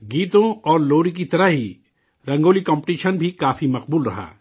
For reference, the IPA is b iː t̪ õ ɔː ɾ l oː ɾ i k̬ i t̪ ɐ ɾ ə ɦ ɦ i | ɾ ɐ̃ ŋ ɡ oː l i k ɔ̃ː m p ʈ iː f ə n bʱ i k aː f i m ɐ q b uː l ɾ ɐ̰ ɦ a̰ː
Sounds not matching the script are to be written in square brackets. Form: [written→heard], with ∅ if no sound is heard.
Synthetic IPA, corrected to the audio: [b→ɡ] iː t̪ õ ɔː ɾ l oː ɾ i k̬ i t̪ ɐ ɾ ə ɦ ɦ i | ɾ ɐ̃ ŋ ɡ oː l i k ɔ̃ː m p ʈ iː [f→ʃ] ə n bʱ i k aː f i m ɐ q b uː l ɾ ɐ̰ ɦ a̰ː